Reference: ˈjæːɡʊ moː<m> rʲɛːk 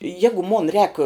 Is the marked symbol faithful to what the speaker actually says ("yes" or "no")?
no